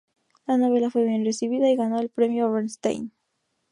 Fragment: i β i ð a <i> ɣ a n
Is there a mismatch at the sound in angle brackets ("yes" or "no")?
no